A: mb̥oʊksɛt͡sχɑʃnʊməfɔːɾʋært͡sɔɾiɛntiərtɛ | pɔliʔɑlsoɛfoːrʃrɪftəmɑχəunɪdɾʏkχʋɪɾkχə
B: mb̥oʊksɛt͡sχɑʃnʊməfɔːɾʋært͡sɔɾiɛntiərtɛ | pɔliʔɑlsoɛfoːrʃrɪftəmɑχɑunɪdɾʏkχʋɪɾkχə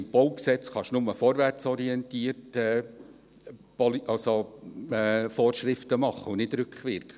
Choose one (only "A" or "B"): A